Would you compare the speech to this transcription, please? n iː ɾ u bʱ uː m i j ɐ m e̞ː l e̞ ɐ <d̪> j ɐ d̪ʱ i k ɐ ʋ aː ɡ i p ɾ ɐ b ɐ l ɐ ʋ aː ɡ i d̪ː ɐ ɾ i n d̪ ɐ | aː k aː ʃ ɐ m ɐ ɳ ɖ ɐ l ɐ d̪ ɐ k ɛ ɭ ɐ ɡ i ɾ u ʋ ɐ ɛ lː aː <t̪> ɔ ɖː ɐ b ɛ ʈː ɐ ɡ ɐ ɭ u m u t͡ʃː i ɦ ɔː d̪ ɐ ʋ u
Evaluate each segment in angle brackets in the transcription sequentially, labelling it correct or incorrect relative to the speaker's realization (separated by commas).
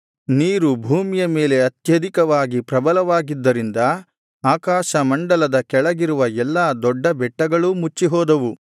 incorrect, incorrect